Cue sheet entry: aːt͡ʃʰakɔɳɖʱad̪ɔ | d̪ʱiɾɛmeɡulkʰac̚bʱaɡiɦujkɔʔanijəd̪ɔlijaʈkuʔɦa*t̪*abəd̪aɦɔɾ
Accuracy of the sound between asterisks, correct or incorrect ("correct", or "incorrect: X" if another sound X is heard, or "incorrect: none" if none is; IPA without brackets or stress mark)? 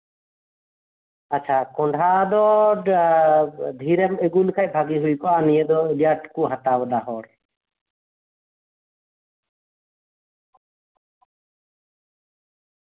correct